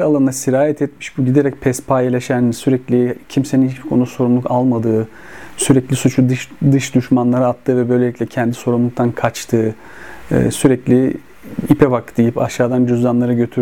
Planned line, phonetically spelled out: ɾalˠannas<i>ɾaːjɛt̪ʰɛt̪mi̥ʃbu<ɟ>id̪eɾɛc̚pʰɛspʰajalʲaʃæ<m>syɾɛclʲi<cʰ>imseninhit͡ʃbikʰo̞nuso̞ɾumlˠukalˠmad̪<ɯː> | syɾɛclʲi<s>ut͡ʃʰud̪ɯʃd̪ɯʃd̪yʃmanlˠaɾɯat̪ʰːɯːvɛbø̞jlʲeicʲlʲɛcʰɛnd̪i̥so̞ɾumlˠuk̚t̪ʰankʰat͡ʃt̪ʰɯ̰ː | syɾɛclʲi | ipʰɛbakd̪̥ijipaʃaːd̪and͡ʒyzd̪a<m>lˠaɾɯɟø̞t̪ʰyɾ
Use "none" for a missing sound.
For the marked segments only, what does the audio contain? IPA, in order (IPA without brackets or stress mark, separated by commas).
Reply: i, ɟ, n, cʰ, ɯː, s, n